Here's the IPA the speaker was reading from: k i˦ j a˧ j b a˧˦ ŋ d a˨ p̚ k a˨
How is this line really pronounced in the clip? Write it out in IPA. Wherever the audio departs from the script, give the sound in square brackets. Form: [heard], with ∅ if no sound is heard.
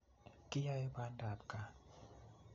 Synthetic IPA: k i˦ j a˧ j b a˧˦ [n] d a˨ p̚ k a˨